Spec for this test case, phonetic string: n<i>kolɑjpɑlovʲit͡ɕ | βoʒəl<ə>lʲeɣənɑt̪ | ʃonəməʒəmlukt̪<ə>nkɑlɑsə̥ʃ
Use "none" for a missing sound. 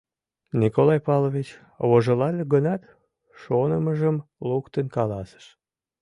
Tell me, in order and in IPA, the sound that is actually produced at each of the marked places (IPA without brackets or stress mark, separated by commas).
i, ɑ, ə